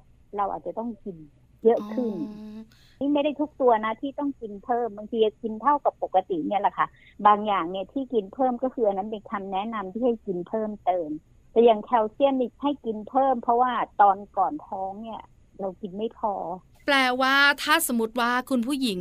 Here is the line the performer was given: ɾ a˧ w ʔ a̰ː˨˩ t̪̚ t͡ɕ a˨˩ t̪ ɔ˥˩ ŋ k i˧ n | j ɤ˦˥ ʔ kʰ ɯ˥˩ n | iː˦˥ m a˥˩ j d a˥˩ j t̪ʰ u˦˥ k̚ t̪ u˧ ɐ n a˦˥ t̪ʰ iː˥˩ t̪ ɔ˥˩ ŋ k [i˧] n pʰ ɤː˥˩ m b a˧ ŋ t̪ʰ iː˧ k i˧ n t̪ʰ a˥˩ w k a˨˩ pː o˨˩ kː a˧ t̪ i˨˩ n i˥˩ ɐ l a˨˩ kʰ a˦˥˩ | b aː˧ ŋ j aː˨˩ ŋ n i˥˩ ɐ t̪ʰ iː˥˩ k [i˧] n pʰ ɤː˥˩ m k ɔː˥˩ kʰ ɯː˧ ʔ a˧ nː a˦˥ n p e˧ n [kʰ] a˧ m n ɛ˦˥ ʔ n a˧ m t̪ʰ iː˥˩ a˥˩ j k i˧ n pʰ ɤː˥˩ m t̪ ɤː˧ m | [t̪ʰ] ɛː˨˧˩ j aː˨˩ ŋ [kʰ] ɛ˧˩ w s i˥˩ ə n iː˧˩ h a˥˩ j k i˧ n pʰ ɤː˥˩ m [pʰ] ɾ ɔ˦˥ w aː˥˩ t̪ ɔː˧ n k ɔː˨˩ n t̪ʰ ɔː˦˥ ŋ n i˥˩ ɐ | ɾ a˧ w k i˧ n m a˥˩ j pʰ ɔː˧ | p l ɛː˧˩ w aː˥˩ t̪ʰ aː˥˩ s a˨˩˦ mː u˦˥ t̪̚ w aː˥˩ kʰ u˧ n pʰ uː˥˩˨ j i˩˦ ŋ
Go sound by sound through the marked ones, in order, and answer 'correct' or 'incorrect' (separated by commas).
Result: correct, correct, correct, incorrect, correct, correct